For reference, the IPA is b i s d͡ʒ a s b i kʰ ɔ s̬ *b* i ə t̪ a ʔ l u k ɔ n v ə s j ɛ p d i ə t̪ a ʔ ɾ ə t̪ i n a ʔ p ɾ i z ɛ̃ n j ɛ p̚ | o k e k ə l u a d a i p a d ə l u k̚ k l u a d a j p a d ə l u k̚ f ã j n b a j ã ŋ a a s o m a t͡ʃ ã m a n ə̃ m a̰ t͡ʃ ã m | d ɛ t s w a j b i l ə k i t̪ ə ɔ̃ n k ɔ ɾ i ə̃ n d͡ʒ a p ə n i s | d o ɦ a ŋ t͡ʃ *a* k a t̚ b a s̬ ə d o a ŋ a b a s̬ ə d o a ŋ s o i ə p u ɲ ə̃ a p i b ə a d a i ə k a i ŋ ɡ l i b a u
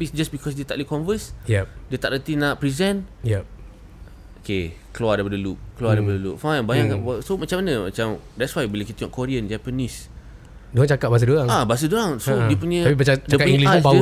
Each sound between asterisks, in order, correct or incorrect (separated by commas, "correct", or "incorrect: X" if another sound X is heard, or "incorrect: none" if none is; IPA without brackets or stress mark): incorrect: d, correct